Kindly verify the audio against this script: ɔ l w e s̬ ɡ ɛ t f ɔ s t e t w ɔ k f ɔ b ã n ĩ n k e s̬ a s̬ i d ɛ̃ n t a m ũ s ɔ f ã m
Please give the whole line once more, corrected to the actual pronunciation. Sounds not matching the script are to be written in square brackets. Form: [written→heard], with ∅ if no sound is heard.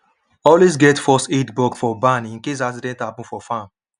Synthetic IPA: ɔ l w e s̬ ɡ ɛ t f ɔ s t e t [w→b] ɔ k f ɔ b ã n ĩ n k e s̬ a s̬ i d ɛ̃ n t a [m→b] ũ [s→f] ɔ f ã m